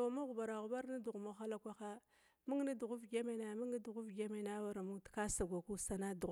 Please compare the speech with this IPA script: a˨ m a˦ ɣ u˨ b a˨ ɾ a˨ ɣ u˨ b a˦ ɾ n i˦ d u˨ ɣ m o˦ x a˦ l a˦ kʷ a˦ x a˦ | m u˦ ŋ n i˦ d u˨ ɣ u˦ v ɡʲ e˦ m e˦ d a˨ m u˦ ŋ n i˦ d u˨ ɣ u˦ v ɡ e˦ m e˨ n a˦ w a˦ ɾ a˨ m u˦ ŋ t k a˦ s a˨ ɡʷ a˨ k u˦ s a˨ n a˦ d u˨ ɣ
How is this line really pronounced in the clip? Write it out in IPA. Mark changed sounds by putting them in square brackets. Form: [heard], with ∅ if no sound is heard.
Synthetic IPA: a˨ m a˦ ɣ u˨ b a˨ ɾ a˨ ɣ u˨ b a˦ ɾ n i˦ d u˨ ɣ m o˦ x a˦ l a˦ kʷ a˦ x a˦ | m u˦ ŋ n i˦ d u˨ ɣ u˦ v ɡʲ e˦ m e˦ [n] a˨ m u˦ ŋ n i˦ d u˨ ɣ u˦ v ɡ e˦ m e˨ n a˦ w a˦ ɾ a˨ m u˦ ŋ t k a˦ s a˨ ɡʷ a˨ k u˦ s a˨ n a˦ d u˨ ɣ